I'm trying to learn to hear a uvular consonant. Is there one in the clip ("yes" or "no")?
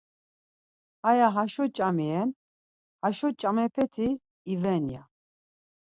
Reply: no